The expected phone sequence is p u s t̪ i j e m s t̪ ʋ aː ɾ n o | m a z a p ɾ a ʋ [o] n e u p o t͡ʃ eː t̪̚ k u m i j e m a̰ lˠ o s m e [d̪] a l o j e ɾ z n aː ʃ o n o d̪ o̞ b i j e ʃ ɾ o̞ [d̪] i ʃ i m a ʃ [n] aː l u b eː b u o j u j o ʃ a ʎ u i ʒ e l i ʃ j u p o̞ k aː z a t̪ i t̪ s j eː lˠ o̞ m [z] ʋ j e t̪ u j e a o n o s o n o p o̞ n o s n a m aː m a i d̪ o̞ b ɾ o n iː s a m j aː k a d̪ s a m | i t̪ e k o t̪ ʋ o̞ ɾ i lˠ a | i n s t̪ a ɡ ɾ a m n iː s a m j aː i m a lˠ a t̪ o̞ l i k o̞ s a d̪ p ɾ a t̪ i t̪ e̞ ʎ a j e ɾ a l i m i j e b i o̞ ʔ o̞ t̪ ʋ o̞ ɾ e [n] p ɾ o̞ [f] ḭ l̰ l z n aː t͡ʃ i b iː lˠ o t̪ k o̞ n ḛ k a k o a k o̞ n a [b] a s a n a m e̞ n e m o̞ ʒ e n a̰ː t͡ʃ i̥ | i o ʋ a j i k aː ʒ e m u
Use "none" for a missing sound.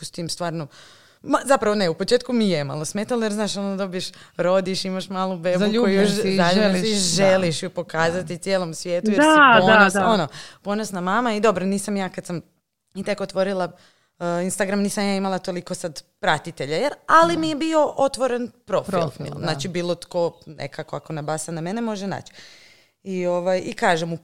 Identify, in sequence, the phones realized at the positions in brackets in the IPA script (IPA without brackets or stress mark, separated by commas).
o, t̪, d̪, m, s, n, f, b